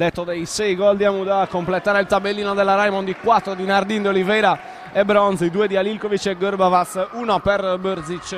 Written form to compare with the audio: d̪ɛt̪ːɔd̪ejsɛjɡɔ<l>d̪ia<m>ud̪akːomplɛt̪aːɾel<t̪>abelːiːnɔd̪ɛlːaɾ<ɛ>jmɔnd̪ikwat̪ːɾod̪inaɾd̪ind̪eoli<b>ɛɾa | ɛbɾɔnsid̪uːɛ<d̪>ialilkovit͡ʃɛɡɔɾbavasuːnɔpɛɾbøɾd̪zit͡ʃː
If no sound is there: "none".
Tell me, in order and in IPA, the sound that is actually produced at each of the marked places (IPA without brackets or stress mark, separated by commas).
l, m, t̪, a, v, d̪